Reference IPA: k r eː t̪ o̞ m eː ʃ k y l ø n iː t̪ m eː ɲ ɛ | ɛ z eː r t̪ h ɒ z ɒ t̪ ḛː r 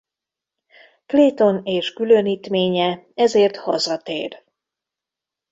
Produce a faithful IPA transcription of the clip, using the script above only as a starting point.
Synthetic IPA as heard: k l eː t̪ o̞ n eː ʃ k y l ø n iː t̪ m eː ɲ ɛ | ɛ z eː r t̪ h ɒ z ɒ t̪ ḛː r